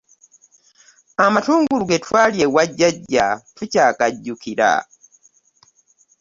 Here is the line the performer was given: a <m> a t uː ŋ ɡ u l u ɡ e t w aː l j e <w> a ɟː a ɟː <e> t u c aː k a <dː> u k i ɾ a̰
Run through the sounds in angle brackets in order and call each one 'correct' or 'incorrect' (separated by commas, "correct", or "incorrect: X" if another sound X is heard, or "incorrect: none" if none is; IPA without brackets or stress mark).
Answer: correct, correct, incorrect: a, incorrect: ɟː